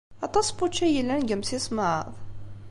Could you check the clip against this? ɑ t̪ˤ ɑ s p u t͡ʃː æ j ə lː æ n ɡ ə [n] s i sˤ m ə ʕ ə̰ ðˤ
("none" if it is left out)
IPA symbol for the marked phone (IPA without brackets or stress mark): m